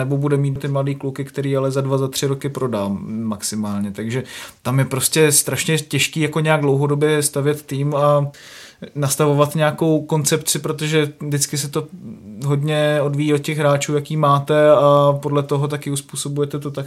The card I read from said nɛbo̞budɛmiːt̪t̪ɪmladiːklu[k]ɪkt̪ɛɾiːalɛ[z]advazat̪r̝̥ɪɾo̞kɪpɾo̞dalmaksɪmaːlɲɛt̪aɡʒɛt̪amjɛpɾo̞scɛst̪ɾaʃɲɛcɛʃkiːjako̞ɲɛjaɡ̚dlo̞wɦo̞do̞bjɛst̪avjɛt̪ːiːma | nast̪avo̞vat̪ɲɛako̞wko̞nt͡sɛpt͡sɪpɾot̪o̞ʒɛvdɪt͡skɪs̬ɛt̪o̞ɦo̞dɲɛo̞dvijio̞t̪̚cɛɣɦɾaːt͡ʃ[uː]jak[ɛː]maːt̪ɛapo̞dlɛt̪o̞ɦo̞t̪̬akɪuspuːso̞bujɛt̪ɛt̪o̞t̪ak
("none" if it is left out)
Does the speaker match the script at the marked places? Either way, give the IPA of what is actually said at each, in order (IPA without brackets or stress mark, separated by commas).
k, z, uː, iː